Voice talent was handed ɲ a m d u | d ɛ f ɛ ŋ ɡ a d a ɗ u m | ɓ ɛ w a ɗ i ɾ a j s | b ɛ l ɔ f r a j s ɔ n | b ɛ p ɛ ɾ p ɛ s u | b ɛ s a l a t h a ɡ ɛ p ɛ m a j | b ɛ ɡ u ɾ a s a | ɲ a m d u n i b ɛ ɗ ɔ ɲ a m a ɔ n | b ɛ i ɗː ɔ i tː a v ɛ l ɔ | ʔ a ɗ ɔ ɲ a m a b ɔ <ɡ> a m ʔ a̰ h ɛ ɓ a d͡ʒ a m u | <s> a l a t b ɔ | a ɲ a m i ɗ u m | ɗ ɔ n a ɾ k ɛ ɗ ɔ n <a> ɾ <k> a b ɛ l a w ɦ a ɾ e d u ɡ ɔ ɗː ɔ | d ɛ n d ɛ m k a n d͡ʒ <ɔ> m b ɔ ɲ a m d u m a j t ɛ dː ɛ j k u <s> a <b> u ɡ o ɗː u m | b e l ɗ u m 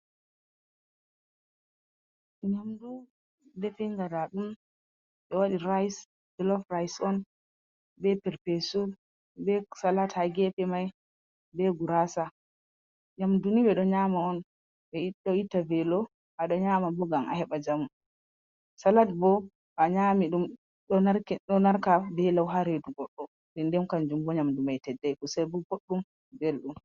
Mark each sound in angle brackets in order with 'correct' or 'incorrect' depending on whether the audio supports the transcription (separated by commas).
correct, correct, correct, correct, incorrect, correct, correct